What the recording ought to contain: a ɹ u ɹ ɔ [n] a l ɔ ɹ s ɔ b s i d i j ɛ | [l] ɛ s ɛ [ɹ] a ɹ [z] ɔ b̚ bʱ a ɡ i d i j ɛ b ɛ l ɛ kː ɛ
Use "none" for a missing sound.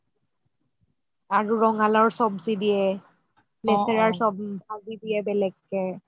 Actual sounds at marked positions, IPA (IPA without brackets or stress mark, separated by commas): ŋ, l, ɹ, s